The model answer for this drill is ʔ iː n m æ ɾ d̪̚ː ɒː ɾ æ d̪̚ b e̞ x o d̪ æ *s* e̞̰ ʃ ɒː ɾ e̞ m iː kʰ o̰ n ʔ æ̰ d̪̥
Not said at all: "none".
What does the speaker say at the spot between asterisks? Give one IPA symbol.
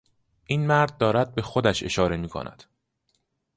ʃ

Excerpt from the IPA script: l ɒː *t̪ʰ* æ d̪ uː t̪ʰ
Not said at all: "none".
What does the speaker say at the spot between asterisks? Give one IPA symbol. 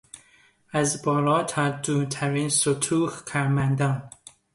t̪ʰ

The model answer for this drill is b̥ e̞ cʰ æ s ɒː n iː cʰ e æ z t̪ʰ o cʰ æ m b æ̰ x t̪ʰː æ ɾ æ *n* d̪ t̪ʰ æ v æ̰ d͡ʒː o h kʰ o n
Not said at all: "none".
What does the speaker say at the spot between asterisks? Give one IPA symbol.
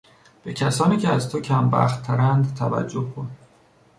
n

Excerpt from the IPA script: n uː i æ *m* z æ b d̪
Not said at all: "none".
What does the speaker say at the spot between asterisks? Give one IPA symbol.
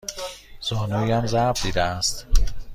m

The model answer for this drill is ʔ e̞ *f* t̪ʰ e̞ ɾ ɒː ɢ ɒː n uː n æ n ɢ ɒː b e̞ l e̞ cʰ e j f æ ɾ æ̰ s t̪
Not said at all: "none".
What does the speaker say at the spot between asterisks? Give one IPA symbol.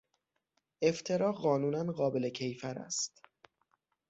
f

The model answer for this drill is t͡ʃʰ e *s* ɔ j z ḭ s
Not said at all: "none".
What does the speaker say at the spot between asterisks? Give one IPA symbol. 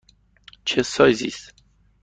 s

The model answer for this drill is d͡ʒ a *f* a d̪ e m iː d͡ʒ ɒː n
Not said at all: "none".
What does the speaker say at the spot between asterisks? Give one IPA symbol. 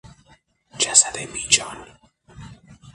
s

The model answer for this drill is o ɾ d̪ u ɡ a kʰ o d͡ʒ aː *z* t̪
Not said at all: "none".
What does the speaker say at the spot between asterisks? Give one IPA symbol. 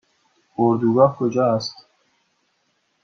s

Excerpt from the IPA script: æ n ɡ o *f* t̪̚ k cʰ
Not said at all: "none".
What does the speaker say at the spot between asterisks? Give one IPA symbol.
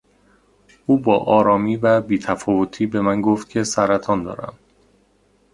f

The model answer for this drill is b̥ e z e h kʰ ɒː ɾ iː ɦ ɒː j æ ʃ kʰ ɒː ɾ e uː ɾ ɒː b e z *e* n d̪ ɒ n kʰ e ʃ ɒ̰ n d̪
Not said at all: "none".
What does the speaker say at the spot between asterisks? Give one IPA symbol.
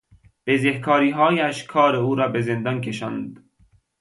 e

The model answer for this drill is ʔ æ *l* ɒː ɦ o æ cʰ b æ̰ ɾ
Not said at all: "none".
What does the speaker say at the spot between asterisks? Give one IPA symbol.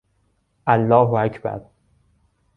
lː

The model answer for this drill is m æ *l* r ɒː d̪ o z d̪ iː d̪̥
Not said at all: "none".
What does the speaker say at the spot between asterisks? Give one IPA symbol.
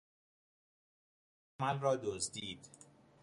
l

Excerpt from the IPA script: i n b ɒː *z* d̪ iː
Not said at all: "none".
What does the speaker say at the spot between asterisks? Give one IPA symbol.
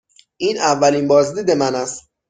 z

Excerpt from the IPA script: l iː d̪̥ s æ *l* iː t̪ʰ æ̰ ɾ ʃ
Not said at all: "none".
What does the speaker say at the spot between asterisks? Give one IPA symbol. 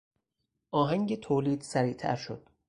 ɾ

